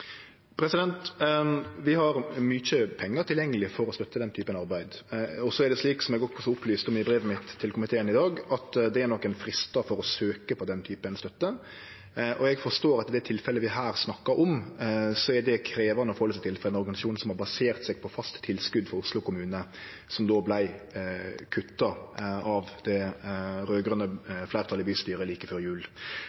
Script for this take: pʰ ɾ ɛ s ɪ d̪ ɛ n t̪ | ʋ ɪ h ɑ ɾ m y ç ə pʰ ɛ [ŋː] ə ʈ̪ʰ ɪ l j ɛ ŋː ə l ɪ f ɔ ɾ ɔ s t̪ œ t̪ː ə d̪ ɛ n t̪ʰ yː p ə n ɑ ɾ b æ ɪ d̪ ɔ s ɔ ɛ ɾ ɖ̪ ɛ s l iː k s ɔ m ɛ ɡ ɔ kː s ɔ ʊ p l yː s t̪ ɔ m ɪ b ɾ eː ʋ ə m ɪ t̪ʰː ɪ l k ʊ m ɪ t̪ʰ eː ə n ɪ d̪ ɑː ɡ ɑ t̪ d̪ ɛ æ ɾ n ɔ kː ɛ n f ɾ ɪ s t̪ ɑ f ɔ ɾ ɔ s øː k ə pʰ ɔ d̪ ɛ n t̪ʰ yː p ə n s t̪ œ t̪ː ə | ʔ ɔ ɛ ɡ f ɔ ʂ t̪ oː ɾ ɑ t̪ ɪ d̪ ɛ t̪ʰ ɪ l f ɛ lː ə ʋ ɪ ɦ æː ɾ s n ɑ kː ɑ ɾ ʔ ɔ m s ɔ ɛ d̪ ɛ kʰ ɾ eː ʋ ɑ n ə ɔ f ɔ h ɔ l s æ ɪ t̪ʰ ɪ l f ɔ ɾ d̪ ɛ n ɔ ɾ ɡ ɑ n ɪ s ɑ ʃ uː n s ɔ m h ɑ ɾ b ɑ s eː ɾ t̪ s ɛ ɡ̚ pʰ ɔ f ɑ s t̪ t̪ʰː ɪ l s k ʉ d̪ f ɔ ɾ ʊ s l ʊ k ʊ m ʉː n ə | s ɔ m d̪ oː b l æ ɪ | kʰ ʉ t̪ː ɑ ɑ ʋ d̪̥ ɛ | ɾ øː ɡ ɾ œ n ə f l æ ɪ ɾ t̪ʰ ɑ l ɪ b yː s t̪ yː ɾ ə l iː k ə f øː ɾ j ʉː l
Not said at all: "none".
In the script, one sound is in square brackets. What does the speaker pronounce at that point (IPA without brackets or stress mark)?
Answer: ŋː